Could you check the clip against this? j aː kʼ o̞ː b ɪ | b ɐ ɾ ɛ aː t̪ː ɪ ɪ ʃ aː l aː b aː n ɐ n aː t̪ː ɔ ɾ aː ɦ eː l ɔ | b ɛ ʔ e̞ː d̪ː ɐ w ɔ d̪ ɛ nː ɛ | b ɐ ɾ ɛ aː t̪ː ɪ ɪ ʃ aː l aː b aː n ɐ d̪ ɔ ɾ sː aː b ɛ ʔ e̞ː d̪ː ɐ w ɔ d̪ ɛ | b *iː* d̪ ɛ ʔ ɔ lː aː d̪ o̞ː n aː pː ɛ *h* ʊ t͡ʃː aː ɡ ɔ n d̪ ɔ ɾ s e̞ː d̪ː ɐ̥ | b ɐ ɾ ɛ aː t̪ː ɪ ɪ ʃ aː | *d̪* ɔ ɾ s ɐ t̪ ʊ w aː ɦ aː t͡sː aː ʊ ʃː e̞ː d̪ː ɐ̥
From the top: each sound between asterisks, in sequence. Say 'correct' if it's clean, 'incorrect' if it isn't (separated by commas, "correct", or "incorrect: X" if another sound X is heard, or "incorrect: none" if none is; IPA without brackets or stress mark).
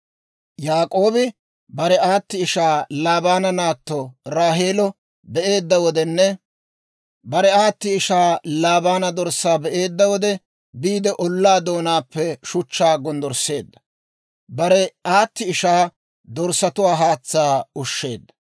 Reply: correct, incorrect: ʃ, correct